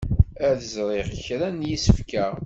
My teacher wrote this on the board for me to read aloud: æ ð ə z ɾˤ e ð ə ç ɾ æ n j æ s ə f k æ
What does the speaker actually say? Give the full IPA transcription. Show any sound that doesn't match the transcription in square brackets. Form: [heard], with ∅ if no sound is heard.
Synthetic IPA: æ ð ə z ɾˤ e [ʁ] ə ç ɾ æ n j [i] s ə f k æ